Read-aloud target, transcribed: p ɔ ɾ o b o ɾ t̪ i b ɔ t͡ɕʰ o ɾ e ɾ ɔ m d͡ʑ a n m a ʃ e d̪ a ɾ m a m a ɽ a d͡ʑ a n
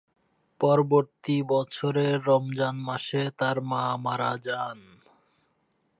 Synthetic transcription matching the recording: p ɔ ɾ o b o ɾ t̪ i b ɔ t͡ɕʰ o ɾ e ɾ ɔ m d͡ʑ a n m a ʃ e t̪ a ɾ m a m a ɾ a d͡ʑ a n